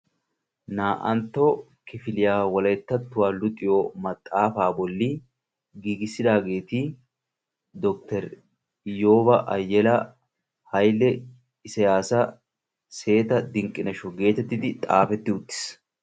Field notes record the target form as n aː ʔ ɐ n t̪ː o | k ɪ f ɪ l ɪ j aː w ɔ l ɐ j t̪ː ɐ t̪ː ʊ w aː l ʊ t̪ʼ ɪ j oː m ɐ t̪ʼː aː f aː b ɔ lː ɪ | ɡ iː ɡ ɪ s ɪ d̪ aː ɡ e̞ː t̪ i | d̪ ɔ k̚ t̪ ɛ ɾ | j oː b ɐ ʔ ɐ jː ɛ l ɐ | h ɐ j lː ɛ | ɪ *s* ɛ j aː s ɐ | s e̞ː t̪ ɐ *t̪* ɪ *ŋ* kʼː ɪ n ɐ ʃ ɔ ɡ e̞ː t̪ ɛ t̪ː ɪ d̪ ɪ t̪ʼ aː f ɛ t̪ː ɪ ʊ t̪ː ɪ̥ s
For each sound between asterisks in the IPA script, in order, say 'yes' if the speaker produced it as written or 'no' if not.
yes, no, yes

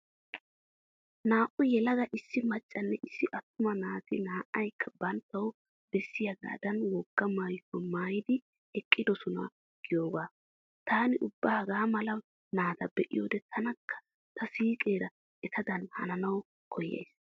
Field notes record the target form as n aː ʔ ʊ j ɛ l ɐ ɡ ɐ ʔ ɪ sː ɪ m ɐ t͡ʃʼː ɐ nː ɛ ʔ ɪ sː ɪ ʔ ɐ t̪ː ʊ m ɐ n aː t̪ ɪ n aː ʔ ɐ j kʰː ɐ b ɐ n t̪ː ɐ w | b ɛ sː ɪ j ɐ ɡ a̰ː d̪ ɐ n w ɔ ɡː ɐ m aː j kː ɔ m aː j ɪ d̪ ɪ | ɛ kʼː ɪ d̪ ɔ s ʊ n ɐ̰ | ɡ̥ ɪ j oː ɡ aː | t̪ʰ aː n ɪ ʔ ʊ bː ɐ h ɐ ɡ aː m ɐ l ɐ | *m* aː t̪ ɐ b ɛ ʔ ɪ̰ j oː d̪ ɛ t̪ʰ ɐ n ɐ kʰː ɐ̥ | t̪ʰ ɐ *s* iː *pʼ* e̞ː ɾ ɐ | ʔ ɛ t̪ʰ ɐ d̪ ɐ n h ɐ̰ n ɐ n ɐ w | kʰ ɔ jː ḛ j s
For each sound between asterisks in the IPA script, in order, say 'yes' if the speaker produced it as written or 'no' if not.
no, yes, no

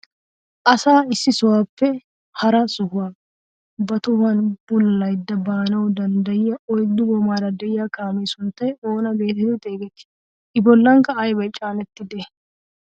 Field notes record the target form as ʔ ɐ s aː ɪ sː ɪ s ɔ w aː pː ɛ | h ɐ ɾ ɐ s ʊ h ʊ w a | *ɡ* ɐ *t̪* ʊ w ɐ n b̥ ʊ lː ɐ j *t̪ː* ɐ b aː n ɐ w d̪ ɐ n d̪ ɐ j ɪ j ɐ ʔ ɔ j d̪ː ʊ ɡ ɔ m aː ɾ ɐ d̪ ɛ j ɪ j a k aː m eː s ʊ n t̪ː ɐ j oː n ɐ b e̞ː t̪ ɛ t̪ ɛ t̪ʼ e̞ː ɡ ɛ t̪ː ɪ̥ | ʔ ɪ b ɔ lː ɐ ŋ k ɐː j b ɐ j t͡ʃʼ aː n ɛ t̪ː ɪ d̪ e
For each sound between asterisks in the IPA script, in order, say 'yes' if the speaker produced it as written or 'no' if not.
no, yes, no

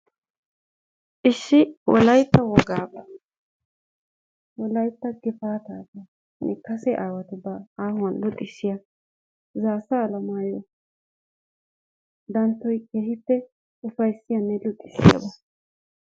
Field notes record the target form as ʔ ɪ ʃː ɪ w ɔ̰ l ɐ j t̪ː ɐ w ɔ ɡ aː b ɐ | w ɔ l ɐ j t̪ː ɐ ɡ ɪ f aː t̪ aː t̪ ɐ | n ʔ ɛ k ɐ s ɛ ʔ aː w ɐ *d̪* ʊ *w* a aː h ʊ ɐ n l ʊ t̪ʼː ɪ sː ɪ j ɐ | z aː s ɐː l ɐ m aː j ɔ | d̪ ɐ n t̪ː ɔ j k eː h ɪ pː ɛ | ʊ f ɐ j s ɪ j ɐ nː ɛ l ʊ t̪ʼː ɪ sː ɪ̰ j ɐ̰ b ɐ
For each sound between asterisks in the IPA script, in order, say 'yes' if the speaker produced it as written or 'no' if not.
no, no

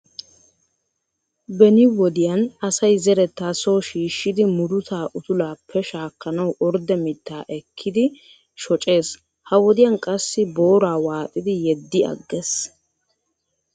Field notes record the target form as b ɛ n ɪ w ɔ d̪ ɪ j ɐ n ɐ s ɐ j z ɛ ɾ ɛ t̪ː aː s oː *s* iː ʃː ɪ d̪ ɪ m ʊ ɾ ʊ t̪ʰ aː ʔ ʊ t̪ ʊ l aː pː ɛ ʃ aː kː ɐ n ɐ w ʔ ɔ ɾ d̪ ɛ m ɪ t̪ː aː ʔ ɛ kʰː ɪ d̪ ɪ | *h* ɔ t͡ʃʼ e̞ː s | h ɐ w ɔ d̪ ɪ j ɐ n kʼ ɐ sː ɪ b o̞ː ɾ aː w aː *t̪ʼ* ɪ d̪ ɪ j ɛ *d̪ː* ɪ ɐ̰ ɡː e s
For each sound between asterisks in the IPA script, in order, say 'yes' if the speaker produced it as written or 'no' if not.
no, no, yes, yes

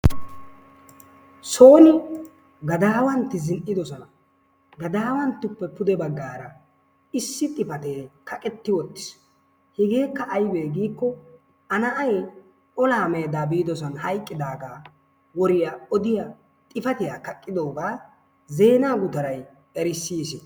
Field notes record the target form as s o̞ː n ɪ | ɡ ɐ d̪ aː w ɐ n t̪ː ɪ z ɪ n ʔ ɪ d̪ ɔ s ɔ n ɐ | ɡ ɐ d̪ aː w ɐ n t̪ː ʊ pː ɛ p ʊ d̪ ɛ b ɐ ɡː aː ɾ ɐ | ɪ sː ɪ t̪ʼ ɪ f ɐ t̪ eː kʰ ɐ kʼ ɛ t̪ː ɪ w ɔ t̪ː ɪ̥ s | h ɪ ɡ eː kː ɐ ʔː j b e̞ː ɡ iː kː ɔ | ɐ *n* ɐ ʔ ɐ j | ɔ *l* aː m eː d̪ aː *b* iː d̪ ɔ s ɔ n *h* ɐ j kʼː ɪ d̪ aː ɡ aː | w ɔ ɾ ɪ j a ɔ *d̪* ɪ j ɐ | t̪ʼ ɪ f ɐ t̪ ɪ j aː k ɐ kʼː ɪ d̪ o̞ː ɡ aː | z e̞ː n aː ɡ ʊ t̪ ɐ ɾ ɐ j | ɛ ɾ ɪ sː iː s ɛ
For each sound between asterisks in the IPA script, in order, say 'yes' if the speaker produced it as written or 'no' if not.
yes, yes, yes, yes, yes

